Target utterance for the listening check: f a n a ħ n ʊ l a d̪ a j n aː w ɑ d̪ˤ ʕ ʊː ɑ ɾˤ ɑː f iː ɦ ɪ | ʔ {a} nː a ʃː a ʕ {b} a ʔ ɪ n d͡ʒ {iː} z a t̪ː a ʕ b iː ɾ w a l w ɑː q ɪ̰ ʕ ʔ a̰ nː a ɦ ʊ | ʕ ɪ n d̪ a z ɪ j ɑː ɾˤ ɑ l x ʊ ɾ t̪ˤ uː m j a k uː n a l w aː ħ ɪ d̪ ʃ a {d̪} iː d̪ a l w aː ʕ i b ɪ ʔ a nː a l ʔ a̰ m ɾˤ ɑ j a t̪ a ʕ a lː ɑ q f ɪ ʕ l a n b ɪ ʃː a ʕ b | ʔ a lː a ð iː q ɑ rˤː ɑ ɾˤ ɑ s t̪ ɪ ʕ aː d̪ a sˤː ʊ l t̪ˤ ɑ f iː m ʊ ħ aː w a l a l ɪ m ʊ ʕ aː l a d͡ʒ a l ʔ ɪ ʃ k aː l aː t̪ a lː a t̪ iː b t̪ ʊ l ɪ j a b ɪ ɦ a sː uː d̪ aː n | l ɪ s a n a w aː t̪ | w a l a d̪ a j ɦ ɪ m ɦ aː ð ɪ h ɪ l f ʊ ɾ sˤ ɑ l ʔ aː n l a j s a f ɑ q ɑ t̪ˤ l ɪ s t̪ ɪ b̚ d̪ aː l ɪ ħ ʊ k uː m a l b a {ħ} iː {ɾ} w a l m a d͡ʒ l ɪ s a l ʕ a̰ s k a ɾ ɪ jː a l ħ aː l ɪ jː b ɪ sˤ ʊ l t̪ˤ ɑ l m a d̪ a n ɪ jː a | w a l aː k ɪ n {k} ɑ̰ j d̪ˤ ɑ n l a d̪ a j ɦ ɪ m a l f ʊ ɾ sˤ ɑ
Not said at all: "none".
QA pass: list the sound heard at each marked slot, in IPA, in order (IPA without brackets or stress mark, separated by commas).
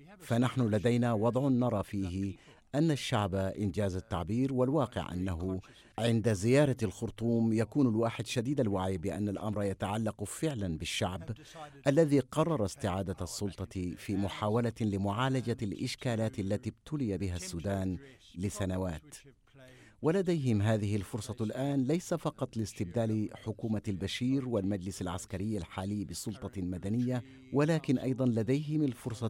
a, b, aː, d̪, ʃ, ɾ, ʔ